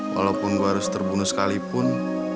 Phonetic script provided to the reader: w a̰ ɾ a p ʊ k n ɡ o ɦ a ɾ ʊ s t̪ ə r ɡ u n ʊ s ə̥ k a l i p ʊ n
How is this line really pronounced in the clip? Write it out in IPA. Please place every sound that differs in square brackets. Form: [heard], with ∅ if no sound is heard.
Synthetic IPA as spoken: w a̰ [l] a p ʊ [∅] n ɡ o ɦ a ɾ ʊ s t̪ ə r [b] u n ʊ s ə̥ k a l i p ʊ n